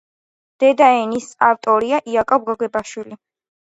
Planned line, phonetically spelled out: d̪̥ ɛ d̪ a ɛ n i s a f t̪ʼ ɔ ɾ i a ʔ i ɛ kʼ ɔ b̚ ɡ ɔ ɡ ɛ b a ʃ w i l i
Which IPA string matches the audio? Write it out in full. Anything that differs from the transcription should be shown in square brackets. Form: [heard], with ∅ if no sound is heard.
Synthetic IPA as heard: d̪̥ ɛ d̪ a ɛ n i s a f t̪ʼ ɔ ɾ i a ʔ i [a] kʼ ɔ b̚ ɡ ɔ ɡ ɛ b a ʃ w i l i